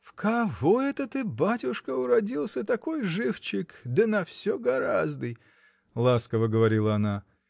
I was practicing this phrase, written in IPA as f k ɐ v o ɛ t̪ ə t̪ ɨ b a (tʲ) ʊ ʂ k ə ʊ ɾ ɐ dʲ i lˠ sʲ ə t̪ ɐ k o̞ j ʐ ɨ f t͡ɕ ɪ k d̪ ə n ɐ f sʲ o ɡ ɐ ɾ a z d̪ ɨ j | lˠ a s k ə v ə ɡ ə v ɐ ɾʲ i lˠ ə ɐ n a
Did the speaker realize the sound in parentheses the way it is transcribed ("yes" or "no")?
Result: yes